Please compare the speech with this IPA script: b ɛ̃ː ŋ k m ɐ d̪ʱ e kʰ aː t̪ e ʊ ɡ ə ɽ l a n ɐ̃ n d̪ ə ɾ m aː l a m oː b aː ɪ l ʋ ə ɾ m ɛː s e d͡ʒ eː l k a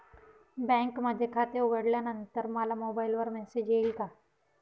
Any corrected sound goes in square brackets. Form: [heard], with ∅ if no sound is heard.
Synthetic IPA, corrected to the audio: b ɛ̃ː ŋ k m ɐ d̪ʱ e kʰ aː t̪ e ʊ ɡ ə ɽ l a n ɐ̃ n [t̪] ə ɾ m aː l a m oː b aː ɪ l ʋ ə ɾ m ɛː s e d͡ʒ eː l k a